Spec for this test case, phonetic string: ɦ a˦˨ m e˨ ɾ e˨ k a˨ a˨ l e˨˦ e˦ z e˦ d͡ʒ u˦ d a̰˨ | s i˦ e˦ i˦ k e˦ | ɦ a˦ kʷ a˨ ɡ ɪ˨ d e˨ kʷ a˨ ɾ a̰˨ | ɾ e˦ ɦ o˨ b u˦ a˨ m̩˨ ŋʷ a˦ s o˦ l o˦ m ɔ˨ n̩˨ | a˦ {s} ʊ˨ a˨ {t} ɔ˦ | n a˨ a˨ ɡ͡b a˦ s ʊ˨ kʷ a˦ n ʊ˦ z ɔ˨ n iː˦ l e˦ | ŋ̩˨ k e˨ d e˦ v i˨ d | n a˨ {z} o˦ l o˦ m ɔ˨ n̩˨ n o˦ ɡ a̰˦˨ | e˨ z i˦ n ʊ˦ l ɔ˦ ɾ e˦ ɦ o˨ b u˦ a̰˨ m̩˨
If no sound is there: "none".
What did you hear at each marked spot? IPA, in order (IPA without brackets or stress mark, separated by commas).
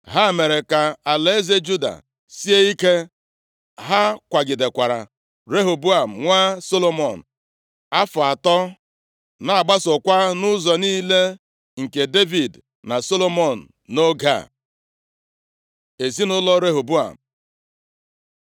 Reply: f, t, s